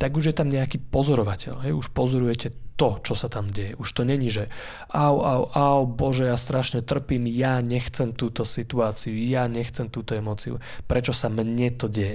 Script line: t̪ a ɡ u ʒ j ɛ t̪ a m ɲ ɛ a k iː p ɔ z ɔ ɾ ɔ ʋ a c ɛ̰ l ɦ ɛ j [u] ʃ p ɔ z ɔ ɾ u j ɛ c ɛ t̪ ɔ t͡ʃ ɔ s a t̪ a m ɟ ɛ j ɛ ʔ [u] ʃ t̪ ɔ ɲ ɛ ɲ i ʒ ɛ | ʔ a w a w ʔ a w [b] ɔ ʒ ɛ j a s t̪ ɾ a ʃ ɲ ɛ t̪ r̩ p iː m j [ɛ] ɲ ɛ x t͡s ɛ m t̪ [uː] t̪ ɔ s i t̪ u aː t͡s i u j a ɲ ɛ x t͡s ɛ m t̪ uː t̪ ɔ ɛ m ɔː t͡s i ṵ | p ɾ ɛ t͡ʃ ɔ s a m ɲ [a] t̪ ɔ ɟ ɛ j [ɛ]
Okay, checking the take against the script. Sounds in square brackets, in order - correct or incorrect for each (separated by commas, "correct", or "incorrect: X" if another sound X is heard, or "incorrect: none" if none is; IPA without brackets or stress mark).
correct, correct, correct, incorrect: a, correct, incorrect: ɛ, correct